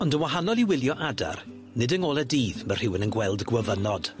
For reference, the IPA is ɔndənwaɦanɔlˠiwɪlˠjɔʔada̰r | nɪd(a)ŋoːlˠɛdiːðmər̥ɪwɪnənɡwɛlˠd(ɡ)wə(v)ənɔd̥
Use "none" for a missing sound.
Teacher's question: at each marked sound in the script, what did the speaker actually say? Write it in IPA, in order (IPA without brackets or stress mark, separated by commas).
ə, ɡ, v